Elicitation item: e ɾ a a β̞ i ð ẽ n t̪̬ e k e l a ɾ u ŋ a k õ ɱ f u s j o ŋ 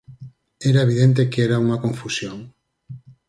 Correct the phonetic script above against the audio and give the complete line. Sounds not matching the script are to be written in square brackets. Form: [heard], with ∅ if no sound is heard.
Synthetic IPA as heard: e ɾ a [e] β̞ i ð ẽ n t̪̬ e k e [ɾ] a [∅] u ŋ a k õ ɱ f u s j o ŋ

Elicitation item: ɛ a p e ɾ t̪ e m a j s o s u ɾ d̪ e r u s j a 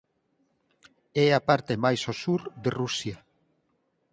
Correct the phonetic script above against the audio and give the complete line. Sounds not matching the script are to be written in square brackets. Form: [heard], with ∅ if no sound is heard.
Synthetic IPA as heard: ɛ a p [a] ɾ t̪ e m a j s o s u ɾ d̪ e r u s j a

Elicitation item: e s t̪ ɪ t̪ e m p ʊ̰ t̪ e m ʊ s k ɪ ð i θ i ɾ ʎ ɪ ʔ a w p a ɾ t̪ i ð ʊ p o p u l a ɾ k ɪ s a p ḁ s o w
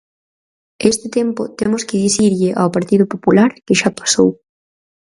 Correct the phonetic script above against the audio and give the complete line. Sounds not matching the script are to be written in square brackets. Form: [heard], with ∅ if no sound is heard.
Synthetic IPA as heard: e s t̪ ɪ t̪ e m p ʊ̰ t̪ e m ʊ s k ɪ ð i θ i ɾ ʎ ɪ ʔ a w p a ɾ t̪ i ð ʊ p o p u l a ɾ k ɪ [ʃ] a p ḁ s o w

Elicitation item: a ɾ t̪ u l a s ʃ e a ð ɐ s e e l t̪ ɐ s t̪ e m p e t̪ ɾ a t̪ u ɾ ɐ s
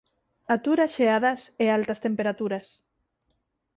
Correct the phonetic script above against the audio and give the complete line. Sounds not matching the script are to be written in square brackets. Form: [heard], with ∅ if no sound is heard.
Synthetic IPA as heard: a [∅] t̪ u [ɾ] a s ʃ e a ð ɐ s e [a] l t̪ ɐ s t̪ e m p e [∅] ɾ a t̪ u ɾ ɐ s

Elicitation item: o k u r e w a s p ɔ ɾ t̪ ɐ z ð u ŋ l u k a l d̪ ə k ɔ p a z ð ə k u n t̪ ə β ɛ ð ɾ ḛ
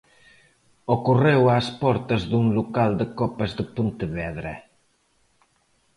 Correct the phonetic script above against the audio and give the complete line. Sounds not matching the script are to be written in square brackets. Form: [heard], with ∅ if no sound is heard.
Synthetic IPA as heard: o k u r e w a s p ɔ ɾ t̪ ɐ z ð u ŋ l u k a l d̪ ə k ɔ p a z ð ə [p] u n t̪ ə β ɛ ð ɾ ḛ

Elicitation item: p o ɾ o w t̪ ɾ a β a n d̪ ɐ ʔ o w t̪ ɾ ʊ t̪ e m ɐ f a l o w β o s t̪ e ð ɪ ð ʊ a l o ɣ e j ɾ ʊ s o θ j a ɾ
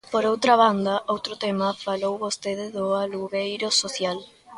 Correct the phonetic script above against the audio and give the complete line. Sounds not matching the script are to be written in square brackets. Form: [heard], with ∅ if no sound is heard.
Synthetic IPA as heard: p o ɾ o w t̪ ɾ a β a n d̪ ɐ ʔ o w t̪ ɾ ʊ t̪ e m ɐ f a l o w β o s t̪ e ð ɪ ð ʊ a l [u] ɣ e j ɾ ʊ s o θ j a [l]

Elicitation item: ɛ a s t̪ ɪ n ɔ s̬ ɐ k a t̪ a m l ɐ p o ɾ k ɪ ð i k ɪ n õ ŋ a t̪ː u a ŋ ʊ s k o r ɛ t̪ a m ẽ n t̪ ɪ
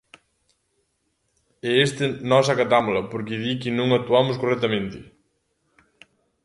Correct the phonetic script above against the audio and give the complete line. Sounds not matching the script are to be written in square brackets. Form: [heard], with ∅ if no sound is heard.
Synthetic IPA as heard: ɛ [e] s t̪ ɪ n ɔ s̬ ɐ k a t̪ a m l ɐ p o ɾ k ɪ ð i k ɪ n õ ŋ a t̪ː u a [m] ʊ s k o r ɛ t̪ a m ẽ n t̪ ɪ

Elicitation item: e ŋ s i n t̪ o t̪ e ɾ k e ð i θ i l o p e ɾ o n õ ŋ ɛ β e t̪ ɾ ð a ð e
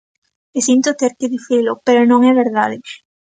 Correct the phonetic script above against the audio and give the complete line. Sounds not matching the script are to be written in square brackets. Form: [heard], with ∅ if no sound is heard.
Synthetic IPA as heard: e [∅] s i n t̪ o t̪ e ɾ k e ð i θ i l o p e ɾ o n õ ŋ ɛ β e [∅] ɾ ð a ð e

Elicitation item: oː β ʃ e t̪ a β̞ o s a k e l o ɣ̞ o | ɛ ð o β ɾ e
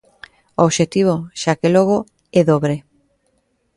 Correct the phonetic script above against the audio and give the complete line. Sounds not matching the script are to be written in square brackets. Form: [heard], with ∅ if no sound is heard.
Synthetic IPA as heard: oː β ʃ e t̪ [i] β̞ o [ʃ] a k e l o ɣ̞ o | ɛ ð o β ɾ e

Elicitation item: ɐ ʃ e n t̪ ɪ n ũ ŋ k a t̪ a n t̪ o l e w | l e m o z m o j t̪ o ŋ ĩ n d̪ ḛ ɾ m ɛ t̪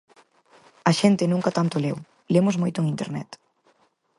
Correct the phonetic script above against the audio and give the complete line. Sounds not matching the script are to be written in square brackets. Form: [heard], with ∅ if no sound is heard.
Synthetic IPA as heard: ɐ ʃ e n t̪ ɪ n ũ ŋ k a t̪ a n t̪ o l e w | l e m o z m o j t̪ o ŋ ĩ n [t̪] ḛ ɾ [n] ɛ t̪

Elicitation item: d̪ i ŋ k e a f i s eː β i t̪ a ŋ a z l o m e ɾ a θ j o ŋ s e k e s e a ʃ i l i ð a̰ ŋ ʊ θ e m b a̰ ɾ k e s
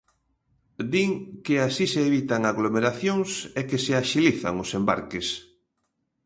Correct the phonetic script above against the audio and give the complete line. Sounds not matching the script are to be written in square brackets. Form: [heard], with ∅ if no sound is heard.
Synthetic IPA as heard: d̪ i ŋ k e a [s] i s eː β i t̪ a ŋ a [ɣ] l o m e ɾ a θ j o ŋ s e k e s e a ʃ i l i [θ] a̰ ŋ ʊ [s] e m b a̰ ɾ k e s

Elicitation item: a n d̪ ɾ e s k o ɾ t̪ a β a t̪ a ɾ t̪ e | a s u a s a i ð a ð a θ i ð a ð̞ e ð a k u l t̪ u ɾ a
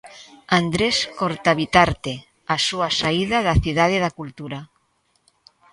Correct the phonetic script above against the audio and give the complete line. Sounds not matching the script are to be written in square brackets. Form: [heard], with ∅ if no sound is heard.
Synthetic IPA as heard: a n d̪ ɾ e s k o ɾ t̪ a β [i] t̪ a ɾ t̪ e | a s u a s a i ð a ð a θ i ð a ð̞ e ð a k u l t̪ u ɾ a

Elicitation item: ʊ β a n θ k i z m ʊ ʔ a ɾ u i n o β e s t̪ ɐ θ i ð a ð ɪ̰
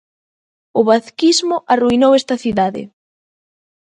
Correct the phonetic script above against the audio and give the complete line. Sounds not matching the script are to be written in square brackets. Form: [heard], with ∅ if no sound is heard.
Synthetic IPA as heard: ʊ β a [∅] θ k i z m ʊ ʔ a [r] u i n o [w] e s t̪ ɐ θ i ð a ð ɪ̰

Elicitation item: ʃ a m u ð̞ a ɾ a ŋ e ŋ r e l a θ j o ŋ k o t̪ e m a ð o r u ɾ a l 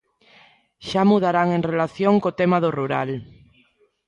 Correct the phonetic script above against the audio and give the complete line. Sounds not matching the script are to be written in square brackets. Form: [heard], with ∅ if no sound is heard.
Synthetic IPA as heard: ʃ a m u ð̞ a ɾ a ŋ e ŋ r e l a θ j o ŋ k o t̪ e m a ð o r u ɾ a l

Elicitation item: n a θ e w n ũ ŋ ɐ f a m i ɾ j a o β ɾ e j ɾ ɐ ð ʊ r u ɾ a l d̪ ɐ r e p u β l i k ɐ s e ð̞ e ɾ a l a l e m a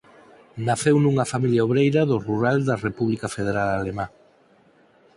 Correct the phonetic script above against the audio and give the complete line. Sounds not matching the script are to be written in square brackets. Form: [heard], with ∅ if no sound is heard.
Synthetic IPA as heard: n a θ e w n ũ ŋ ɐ f a m i [l] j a o β ɾ e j ɾ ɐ ð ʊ r u ɾ a l d̪ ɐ r e p u β l i k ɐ [f] e ð̞ e ɾ a l a l e m a

